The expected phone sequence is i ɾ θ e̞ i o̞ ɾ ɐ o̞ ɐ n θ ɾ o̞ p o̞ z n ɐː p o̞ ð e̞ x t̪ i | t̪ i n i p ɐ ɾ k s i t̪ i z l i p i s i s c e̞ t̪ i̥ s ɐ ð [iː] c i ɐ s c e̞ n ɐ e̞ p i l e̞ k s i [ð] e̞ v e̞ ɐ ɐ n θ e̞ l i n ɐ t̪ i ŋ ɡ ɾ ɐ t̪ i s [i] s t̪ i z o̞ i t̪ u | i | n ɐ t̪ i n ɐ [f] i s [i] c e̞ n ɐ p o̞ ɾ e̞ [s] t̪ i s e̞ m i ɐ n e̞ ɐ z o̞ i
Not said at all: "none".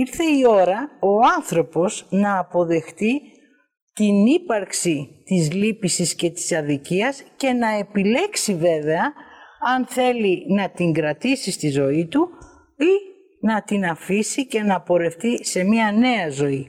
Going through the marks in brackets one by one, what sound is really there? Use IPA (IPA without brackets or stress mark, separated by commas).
i, v, i, f, i, f